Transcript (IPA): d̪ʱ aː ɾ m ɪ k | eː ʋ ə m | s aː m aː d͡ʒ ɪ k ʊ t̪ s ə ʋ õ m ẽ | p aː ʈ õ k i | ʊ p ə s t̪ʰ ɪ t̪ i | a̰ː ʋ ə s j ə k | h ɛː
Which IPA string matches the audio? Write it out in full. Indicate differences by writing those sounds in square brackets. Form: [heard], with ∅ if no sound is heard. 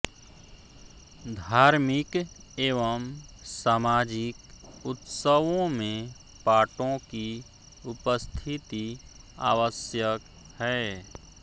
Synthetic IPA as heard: d̪ʱ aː ɾ m ɪ k | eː ʋ ə m | s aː m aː d͡ʒ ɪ k ʊ t̪ s ə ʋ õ m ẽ | p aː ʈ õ k i | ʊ p ə s t̪ʰ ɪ t̪ i | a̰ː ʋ ə s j ə k | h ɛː